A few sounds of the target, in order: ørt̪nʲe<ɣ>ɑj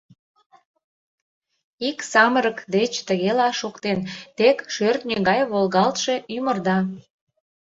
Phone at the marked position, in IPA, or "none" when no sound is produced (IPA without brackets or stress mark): ɣ